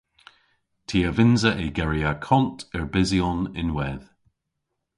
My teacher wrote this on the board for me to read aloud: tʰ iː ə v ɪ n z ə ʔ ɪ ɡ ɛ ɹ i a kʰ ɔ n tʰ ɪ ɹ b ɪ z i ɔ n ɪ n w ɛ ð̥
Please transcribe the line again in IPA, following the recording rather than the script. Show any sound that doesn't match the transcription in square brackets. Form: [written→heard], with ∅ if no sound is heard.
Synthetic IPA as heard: tʰ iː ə v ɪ n z ə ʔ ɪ ɡ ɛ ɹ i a kʰ ɔ n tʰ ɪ ɹ b ɪ z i ɔ n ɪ n w ɛ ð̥